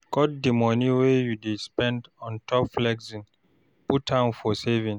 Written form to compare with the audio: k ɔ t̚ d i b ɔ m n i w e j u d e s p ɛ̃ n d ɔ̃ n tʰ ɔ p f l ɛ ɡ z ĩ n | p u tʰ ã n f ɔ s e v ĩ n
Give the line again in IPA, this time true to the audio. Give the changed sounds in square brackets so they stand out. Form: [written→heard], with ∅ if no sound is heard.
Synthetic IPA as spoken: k ɔ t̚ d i [b→m] ɔ [m→∅] n i w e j u d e s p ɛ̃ n d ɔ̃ n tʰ ɔ p f l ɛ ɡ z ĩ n | p u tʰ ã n f ɔ s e v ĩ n